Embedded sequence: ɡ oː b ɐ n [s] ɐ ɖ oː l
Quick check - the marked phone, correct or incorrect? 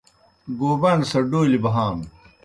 correct